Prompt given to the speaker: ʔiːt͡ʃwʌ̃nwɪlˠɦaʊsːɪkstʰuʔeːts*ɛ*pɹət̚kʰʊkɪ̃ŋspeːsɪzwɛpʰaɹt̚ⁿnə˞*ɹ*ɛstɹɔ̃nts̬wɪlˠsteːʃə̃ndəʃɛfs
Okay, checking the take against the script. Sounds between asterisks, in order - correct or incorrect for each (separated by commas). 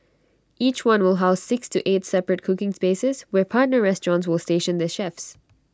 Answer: correct, correct